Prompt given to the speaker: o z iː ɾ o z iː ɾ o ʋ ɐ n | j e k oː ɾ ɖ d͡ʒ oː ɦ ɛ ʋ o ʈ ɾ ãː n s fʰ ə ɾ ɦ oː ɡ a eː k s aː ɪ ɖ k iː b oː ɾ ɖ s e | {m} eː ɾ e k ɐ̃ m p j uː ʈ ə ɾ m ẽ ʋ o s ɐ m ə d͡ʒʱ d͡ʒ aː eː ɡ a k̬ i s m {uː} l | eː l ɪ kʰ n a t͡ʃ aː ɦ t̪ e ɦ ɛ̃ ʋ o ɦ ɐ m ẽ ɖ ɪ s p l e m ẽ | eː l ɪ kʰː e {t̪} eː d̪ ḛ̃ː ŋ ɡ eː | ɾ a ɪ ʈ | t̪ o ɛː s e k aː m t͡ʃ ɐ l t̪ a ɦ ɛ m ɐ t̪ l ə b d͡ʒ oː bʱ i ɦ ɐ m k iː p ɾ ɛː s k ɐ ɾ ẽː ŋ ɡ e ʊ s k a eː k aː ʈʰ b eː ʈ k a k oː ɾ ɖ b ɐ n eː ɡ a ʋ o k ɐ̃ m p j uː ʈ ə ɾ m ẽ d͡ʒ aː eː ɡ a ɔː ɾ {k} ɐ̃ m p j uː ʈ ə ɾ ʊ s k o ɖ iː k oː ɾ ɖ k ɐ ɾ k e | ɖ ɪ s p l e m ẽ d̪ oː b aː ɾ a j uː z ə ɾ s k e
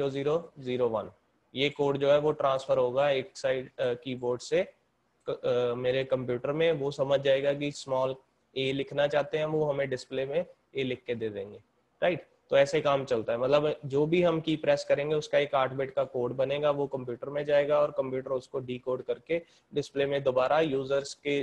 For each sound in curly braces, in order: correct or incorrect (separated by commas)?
correct, incorrect, incorrect, correct